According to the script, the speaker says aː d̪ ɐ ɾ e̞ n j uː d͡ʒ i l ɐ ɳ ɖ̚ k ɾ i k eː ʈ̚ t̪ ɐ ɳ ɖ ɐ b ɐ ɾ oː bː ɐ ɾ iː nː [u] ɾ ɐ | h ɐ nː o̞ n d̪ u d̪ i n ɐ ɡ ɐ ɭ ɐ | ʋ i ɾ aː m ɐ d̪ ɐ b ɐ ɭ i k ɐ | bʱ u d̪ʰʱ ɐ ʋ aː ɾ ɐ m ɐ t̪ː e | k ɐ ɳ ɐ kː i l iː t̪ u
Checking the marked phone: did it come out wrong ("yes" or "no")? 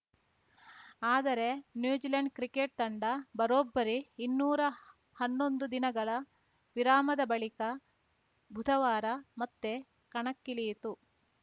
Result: yes